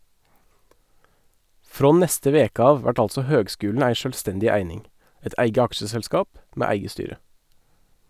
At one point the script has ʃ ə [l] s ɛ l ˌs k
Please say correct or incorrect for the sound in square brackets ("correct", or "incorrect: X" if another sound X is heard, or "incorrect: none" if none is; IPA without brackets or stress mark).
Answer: incorrect: none